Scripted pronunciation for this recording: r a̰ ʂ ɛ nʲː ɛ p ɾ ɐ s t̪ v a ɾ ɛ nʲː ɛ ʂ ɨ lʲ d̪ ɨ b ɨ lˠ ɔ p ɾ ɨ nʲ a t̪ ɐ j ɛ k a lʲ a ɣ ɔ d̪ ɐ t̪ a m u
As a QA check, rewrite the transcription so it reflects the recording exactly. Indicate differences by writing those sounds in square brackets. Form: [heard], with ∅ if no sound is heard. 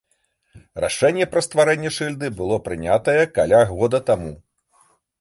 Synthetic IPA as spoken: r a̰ ʂ ɛ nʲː ɛ p ɾ ɐ s t̪ v a ɾ ɛ nʲː ɛ ʂ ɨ lʲ d̪ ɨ b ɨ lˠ ɔ p ɾ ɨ nʲ a t̪ ɐ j ɛ k a lʲ a ɣ ɔ d̪ ɐ t̪ a m u